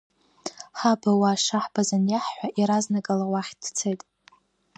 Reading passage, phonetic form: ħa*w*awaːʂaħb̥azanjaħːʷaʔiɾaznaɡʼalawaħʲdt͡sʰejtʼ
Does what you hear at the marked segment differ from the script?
yes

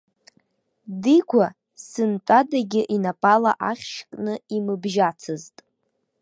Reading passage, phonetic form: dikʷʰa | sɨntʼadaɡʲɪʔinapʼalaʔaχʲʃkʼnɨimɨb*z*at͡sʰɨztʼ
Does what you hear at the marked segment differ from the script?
yes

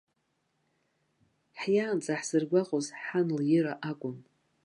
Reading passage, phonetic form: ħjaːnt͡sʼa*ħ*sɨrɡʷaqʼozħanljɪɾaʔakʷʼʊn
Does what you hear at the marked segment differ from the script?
no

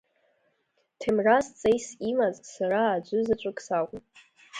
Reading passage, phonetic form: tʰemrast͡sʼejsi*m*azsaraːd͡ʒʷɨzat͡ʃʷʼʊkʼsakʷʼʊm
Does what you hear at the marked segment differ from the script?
no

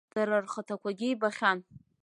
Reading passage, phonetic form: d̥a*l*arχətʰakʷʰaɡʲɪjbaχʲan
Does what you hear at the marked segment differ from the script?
yes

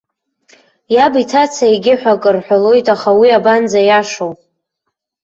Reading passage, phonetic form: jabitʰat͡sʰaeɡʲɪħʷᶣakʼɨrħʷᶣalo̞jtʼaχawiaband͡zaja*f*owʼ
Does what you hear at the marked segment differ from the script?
yes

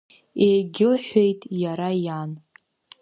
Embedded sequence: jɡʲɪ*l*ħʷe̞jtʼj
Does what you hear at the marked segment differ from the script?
no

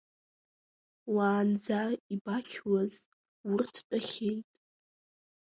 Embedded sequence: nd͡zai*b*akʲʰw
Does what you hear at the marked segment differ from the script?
no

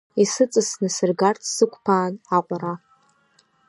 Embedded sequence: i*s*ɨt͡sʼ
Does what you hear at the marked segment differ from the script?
no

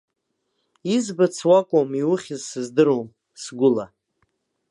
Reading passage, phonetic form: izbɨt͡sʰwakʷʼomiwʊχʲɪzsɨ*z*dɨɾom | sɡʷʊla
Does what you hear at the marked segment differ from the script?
no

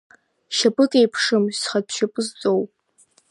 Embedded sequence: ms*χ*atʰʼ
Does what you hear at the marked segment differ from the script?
no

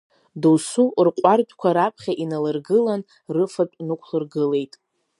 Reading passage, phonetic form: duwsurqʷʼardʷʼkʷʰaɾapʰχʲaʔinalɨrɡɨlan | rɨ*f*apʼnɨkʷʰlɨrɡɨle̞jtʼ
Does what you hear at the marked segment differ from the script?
no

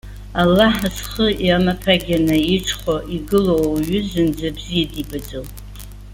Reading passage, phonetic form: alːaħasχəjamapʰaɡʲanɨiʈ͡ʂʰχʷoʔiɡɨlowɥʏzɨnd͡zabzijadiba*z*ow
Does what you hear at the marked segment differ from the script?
yes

